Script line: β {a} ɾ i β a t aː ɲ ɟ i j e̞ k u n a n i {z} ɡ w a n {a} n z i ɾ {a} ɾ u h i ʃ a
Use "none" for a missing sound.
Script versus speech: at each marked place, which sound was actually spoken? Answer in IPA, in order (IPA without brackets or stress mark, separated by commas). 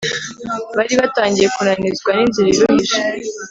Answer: a, z, i, i